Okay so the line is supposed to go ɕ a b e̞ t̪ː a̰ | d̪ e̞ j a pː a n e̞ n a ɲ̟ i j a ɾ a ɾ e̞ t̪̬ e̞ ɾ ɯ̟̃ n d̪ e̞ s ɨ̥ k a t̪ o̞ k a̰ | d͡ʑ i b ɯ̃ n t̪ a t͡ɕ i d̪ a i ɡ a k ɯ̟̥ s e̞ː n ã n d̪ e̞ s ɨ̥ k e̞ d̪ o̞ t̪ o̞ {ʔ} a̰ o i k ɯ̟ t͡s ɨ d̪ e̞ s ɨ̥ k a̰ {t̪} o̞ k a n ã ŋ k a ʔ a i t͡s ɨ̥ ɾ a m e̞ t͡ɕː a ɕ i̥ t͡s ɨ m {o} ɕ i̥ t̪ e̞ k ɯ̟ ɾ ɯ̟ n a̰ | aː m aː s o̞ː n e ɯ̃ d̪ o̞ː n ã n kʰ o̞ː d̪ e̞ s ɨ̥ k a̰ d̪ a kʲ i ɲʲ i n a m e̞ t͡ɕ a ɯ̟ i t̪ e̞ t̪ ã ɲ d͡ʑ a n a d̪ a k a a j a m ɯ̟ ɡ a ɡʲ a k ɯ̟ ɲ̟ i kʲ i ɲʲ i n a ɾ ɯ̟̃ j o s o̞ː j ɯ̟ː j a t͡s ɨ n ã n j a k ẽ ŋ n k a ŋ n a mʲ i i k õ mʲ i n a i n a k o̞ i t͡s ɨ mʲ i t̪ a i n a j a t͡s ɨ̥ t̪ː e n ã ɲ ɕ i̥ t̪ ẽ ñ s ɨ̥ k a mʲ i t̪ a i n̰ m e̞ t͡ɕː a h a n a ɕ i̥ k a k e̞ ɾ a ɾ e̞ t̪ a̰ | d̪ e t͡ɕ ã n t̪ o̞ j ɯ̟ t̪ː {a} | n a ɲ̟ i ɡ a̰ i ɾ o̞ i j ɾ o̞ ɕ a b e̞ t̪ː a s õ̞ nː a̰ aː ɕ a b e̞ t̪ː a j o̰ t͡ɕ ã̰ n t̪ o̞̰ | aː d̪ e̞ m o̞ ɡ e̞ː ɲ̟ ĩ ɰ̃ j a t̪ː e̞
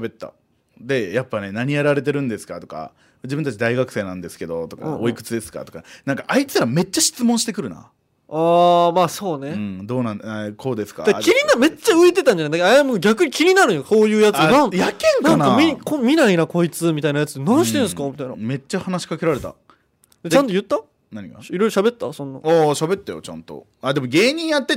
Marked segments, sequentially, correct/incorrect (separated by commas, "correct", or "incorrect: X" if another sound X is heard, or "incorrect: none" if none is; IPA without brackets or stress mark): incorrect: k, correct, incorrect: õ, correct